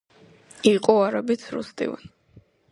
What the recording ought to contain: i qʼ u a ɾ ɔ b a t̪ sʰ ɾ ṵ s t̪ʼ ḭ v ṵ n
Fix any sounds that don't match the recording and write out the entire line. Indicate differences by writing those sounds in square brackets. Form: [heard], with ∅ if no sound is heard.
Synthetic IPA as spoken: i qʼ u a ɾ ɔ b [i] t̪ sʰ ɾ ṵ s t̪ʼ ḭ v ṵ n